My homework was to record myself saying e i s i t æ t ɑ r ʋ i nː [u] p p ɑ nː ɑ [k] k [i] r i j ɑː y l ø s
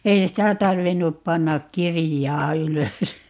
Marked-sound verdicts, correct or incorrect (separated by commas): correct, correct, correct